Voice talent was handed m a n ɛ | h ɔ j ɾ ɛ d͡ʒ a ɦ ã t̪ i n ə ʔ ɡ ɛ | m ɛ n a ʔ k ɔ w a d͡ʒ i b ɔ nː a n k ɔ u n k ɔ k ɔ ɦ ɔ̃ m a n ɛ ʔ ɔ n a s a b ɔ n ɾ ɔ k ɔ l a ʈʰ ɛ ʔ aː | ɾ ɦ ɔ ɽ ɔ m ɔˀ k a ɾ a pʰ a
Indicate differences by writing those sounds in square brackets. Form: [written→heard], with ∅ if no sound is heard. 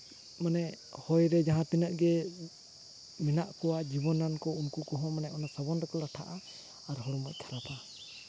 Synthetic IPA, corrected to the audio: m a n ɛ | h ɔ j ɾ ɛ d͡ʒ a ɦ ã t̪ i n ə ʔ ɡ ɛ | m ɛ n a ʔ k ɔ w a d͡ʒ i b ɔ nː a n k ɔ u n k [ɔ→u] k ɔ ɦ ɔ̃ m a n ɛ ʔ ɔ n a s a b ɔ n ɾ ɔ k ɔ l a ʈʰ [ɛ→a] ʔ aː | ɾ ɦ ɔ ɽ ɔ m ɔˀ [k→kʰ] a ɾ a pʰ a